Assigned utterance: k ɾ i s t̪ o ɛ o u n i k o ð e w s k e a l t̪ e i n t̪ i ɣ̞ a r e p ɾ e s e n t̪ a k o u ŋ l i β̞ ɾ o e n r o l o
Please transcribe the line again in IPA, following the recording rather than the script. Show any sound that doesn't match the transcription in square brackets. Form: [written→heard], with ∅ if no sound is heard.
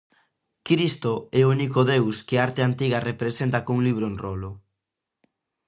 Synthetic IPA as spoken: k ɾ i s t̪ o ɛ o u n i k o ð e w s k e a [l→ɾ] t̪ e [i→a] n t̪ i ɣ̞ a r e p ɾ e s e n t̪ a k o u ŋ l i β̞ ɾ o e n r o l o